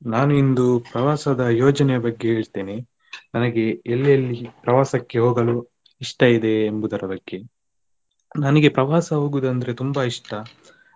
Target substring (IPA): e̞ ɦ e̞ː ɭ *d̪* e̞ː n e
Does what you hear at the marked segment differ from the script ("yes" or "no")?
yes